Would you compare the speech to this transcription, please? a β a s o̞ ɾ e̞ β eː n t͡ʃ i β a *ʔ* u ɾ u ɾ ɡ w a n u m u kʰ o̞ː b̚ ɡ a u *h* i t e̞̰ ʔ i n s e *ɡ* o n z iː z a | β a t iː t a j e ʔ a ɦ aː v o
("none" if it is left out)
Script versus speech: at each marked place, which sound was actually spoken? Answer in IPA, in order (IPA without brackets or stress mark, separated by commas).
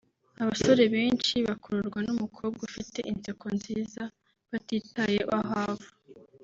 k, f, k